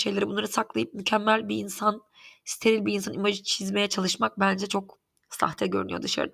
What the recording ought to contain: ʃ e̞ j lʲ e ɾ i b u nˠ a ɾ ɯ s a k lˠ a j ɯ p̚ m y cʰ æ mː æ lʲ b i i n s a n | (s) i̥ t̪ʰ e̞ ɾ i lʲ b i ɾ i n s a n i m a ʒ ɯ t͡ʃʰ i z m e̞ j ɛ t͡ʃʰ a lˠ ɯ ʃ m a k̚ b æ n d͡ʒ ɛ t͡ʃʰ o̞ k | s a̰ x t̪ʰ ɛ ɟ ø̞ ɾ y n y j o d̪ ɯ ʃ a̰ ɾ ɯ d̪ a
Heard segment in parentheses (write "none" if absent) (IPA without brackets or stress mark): s